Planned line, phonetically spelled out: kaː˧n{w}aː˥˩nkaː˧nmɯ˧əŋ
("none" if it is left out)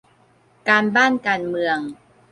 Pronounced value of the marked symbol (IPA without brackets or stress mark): b